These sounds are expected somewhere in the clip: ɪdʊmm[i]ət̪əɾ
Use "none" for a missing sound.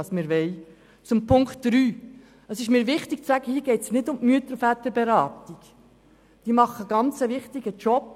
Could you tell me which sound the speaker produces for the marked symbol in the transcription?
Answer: y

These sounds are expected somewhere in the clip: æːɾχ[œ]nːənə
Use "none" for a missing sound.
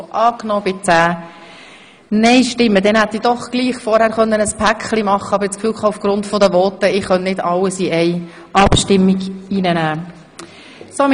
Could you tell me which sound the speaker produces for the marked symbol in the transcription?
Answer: œ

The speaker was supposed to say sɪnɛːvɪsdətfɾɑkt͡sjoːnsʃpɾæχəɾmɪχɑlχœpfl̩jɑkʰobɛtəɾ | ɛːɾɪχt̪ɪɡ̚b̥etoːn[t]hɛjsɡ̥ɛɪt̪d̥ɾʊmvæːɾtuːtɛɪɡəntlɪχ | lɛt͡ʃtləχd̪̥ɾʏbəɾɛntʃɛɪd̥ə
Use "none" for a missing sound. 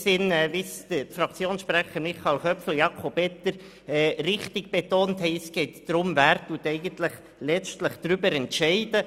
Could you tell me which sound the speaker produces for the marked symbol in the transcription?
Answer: t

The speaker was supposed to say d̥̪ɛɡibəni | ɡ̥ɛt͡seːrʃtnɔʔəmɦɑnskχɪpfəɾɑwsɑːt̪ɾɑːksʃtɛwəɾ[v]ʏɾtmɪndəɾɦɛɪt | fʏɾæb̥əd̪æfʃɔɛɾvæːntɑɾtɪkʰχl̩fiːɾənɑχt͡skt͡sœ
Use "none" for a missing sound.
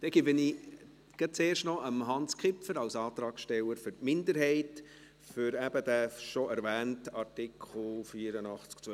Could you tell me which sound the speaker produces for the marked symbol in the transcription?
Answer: f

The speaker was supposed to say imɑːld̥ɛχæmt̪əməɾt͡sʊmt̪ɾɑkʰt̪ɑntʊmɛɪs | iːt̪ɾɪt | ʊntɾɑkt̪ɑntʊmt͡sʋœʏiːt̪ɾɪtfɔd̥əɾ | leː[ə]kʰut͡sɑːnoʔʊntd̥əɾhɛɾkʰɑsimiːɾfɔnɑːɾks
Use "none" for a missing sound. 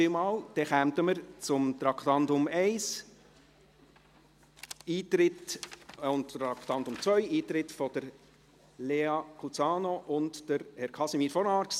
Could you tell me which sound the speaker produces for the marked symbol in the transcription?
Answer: ɑ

